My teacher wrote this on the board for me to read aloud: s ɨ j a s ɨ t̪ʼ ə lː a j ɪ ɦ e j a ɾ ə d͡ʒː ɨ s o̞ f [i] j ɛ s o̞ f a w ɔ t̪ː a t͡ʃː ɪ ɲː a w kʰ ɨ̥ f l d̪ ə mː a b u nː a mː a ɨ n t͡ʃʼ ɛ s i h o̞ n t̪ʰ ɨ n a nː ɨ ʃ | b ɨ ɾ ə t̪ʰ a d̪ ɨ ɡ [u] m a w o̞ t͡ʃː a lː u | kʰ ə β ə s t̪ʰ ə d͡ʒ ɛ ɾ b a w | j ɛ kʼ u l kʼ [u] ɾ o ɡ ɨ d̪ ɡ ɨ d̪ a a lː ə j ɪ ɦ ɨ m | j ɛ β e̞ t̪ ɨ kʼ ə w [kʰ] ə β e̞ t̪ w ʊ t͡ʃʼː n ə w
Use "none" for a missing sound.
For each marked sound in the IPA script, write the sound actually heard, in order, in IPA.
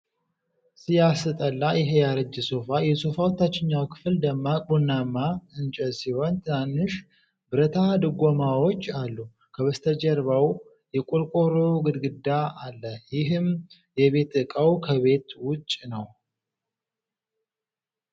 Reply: a, o, o, kʰ

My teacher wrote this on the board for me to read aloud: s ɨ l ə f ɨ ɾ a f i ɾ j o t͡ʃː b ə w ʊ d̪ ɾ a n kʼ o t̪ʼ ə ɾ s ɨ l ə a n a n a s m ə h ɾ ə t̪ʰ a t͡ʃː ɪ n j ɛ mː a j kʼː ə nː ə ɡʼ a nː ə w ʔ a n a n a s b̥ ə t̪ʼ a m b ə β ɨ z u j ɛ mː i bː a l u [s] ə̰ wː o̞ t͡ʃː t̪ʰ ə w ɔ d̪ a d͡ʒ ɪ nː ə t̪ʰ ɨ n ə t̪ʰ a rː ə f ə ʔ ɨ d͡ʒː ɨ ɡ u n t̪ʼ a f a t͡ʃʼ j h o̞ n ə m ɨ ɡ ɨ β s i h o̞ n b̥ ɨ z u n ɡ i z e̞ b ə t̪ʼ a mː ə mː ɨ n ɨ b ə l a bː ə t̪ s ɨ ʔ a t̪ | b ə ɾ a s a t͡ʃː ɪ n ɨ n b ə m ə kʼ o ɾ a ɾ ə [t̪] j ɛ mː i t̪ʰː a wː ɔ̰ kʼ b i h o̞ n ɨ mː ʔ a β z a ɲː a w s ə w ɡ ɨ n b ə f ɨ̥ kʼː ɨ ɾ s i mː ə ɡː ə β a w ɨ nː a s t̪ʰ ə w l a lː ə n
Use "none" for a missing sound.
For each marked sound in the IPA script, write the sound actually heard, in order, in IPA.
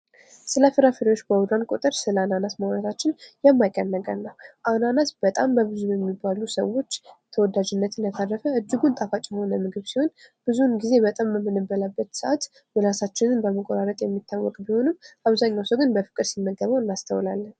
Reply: s, t̪ʼ

